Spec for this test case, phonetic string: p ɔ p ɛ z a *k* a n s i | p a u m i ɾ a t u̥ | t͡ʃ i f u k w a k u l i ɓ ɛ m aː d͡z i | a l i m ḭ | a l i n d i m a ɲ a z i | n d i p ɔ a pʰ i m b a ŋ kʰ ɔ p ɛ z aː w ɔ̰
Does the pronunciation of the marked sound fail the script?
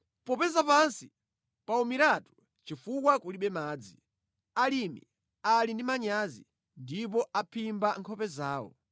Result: yes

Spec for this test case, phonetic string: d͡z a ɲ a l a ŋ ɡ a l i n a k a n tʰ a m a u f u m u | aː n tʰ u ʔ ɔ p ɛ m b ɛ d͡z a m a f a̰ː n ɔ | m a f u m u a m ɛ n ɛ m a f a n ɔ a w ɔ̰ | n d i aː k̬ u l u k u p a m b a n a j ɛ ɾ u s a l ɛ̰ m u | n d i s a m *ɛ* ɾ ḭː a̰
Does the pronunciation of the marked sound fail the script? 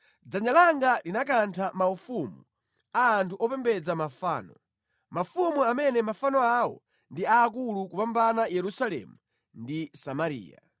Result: yes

